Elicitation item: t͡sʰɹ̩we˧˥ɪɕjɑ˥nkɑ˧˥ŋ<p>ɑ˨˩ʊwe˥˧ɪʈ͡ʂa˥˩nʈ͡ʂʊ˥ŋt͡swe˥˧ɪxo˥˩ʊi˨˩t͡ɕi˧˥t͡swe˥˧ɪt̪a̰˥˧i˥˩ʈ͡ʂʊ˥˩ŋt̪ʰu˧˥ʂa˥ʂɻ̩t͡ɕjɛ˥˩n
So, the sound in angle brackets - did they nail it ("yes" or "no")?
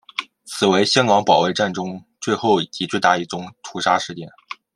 yes